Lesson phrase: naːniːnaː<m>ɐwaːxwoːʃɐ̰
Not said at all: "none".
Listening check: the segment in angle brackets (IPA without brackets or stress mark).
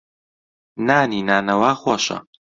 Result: n